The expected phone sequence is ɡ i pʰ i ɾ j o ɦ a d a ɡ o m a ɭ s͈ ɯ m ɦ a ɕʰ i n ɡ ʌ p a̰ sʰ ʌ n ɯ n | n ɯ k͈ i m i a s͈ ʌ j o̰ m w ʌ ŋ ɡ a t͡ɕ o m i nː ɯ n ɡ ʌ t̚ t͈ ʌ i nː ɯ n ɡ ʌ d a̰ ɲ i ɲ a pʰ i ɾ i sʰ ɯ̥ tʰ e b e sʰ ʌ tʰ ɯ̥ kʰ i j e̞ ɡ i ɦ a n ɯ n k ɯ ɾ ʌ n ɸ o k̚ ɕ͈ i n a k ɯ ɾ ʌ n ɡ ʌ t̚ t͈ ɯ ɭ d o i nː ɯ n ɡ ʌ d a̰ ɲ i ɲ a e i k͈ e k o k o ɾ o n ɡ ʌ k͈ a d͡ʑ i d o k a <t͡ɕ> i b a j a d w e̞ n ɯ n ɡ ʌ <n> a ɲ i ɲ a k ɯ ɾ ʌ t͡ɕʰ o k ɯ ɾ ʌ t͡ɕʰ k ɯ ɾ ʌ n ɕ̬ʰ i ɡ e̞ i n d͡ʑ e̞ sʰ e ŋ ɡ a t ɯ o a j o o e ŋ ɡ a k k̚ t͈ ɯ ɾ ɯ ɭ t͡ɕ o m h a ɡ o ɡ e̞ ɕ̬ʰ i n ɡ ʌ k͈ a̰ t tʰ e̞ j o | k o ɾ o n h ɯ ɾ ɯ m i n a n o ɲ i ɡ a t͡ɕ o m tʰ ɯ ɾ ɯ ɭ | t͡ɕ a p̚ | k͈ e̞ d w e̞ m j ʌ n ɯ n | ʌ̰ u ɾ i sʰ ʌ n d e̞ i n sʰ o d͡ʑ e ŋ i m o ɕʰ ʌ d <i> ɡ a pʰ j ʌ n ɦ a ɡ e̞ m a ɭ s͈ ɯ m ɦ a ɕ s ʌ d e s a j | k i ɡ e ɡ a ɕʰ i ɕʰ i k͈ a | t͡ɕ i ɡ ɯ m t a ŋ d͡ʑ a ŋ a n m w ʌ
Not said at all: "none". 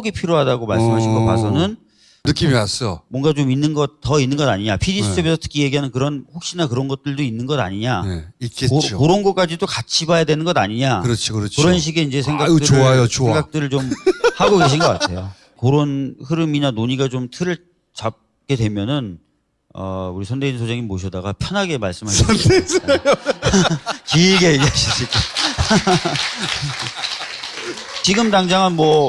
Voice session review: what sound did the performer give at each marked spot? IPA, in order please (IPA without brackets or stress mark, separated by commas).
t͡ɕʰ, d, a